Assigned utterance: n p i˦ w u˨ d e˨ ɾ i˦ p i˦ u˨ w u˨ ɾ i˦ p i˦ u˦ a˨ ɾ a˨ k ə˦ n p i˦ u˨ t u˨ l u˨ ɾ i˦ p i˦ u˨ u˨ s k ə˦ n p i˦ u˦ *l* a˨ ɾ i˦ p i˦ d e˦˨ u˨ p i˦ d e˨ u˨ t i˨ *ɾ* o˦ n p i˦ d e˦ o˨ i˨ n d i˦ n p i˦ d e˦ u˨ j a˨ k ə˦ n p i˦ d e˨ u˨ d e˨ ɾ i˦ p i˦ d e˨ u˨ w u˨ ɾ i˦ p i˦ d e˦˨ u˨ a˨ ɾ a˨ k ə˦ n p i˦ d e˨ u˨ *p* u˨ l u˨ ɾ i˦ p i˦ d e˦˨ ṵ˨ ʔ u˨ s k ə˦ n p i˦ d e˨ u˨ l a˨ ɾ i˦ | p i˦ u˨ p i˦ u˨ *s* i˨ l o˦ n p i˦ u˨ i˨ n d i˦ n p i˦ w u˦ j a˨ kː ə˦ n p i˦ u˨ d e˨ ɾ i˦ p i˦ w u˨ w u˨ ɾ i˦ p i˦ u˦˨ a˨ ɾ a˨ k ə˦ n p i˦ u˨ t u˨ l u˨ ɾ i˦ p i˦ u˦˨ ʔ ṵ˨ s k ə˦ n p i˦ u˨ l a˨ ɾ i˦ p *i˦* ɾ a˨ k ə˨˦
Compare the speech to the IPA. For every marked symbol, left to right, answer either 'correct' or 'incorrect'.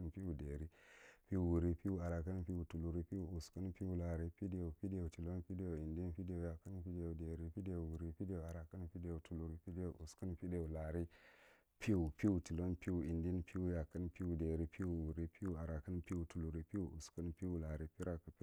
correct, incorrect: l, incorrect: t, incorrect: t, correct

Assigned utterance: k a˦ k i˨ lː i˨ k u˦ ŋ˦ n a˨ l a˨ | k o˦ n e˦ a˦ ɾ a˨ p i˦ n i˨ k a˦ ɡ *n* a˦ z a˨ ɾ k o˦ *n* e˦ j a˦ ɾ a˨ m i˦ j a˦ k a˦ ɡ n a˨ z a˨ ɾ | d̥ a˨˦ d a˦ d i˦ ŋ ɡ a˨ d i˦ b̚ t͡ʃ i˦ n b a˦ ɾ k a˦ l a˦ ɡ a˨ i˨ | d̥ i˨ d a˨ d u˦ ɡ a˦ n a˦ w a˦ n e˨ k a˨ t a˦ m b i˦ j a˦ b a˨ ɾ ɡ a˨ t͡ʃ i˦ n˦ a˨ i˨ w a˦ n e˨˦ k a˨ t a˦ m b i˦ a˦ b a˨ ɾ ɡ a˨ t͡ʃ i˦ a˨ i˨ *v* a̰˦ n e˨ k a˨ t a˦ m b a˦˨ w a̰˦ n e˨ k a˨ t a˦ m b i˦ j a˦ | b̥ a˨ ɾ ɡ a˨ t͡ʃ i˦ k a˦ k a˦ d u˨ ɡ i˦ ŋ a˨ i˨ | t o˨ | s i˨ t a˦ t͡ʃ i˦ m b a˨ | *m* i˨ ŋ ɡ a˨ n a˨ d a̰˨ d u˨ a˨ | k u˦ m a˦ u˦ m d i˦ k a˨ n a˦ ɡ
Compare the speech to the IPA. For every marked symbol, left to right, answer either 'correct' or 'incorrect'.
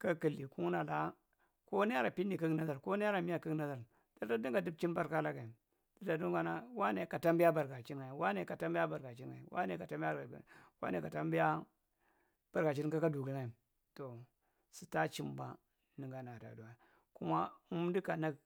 correct, correct, incorrect: w, incorrect: n

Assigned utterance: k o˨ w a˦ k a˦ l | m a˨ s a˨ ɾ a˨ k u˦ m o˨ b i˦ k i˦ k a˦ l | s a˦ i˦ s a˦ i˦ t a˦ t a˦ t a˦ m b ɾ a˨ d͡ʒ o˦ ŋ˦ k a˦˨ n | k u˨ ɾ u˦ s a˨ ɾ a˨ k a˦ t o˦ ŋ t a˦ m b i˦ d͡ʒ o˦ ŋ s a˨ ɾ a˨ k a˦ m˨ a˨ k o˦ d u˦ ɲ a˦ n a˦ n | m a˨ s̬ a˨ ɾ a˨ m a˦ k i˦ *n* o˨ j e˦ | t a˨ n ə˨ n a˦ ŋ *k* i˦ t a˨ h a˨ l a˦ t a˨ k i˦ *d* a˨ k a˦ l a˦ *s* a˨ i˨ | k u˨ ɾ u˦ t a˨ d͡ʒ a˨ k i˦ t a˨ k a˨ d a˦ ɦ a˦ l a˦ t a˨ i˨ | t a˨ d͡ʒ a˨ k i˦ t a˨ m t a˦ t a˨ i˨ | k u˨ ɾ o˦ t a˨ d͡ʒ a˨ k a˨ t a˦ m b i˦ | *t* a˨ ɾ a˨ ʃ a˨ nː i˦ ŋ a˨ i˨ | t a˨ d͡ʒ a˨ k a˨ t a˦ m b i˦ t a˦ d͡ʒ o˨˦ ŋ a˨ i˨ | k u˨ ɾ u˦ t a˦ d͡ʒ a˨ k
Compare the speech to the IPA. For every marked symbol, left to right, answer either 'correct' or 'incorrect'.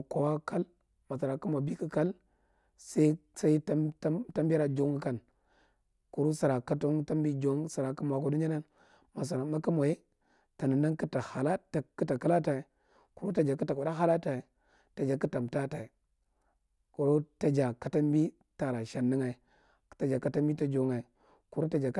incorrect: m, correct, incorrect: t, incorrect: t, correct

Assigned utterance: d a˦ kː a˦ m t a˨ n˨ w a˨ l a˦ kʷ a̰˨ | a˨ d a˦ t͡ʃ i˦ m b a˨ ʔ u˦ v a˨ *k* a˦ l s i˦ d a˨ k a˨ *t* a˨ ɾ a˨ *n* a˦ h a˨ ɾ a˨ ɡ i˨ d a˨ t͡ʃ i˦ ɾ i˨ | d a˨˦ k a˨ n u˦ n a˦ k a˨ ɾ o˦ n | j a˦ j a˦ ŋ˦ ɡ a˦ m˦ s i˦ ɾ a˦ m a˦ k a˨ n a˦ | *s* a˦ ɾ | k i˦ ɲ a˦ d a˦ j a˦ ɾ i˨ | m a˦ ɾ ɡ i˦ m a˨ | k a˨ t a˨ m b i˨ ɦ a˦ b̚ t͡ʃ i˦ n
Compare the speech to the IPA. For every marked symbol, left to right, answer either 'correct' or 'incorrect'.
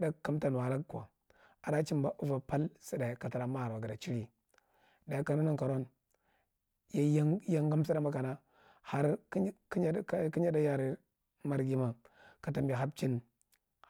incorrect: p, correct, incorrect: m, incorrect: h

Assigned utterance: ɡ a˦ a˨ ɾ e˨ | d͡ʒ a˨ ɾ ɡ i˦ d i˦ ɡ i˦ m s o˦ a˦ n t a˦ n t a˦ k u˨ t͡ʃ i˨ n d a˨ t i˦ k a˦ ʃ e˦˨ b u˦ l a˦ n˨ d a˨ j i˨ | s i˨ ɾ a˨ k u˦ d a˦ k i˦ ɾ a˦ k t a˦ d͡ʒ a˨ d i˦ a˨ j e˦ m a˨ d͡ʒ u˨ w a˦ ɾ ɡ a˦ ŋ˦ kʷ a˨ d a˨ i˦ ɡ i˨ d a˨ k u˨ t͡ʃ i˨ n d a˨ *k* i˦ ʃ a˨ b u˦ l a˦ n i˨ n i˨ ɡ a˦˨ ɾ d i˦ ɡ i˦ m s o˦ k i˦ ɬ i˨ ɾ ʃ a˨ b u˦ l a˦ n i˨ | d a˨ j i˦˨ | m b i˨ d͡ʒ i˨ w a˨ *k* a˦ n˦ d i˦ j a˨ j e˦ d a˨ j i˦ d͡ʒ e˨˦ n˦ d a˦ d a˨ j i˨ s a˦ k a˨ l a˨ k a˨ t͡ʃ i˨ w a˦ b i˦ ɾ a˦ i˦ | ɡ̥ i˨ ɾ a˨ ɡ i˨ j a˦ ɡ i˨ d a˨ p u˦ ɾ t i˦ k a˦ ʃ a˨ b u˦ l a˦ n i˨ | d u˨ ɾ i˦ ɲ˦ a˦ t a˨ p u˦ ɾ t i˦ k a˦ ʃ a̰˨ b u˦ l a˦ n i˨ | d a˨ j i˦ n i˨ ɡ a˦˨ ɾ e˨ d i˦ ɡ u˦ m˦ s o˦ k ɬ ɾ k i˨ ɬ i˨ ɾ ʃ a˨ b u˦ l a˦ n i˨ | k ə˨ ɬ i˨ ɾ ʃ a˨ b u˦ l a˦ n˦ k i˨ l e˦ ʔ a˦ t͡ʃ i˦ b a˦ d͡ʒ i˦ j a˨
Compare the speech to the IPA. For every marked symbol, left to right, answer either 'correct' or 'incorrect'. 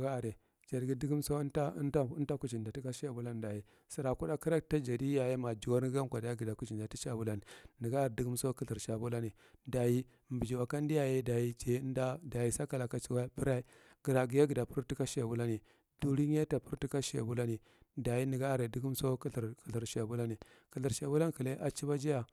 incorrect: t, correct

